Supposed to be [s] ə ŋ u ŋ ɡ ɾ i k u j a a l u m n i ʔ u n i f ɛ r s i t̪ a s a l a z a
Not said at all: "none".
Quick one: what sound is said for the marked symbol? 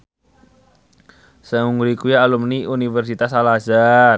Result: s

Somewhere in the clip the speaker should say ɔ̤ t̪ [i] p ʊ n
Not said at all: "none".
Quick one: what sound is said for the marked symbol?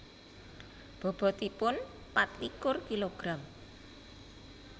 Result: i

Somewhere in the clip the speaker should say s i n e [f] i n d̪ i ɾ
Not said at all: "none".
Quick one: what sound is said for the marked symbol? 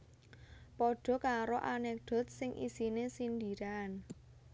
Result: s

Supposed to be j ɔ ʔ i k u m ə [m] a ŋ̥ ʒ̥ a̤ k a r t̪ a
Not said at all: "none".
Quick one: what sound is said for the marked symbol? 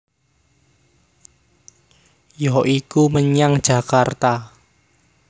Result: ɲ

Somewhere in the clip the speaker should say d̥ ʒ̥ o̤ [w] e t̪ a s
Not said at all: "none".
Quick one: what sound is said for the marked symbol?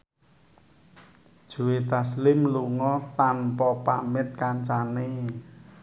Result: w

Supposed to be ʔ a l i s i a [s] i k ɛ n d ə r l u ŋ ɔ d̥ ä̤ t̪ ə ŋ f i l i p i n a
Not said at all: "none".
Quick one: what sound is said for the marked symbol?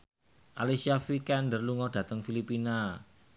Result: f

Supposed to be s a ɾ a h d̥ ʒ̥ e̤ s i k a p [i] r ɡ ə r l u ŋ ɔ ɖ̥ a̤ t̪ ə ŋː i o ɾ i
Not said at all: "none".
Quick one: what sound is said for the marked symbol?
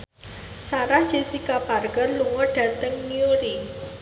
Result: a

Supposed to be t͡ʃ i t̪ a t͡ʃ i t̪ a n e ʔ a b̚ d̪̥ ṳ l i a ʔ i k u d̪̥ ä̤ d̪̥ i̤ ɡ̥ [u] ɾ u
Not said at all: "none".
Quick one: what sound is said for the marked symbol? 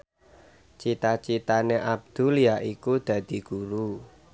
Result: u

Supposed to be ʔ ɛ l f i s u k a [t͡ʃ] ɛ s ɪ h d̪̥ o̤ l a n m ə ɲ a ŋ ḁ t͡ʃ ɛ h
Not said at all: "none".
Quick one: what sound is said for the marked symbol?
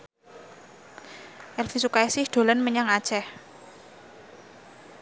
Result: none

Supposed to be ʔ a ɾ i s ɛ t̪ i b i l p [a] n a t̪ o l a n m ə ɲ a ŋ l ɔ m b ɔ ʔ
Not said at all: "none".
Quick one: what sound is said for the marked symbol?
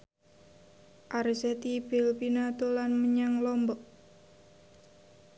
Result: i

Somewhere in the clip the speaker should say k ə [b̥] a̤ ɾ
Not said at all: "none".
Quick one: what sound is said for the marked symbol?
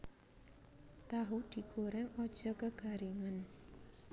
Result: ɡ̥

